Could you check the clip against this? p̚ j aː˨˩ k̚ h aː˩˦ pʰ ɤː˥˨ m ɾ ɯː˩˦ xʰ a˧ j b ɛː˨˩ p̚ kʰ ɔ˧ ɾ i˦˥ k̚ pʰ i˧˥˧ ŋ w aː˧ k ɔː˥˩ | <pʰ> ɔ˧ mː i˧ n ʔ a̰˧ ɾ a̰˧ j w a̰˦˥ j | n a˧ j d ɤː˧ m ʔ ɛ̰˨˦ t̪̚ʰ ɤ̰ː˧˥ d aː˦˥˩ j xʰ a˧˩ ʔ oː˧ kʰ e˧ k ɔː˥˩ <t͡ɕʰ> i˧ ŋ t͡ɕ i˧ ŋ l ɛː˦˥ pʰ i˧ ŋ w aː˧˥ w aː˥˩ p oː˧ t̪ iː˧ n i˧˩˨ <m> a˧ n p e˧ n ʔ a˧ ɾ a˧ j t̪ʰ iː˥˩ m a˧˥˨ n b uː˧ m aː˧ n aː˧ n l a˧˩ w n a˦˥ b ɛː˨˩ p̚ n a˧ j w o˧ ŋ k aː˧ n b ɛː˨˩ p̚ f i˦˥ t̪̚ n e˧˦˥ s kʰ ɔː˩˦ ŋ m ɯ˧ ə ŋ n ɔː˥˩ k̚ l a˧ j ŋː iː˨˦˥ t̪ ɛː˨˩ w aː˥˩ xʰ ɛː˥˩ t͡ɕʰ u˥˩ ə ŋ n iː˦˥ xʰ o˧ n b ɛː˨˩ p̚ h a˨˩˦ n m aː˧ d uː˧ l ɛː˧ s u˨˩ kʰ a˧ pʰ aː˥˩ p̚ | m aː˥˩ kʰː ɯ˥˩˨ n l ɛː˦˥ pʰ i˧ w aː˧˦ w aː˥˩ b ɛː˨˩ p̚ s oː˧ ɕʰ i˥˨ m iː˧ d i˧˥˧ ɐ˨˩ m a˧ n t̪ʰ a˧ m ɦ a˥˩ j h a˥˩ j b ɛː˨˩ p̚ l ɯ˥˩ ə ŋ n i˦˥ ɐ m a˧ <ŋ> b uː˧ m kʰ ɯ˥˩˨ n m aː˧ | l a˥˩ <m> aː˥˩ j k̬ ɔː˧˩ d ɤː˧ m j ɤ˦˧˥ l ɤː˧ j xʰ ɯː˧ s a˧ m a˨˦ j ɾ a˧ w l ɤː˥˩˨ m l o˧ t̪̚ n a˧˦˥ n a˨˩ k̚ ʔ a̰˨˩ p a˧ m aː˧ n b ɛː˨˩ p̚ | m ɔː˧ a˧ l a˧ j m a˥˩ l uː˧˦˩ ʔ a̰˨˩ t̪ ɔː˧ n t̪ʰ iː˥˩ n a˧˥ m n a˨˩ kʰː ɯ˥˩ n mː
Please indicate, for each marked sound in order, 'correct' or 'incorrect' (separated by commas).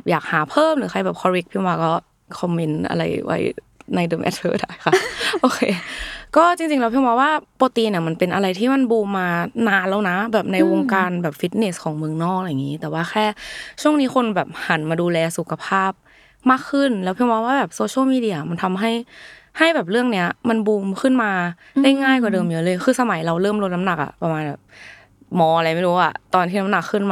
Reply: incorrect, incorrect, correct, incorrect, incorrect